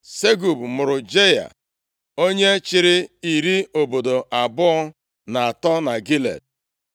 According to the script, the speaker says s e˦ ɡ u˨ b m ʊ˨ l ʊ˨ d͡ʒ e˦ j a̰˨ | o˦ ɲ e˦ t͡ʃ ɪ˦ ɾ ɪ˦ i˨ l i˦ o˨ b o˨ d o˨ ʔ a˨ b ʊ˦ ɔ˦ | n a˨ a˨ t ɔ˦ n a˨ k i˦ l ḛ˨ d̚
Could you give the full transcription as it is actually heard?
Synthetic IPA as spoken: s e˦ ɡ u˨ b m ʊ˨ ɾ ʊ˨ d͡ʒ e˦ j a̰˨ | o˦ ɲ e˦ t͡ʃ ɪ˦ ɾ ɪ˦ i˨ ɾ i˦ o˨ b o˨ d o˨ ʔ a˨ b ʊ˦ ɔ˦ | n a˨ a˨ t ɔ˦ n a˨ ɡ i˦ l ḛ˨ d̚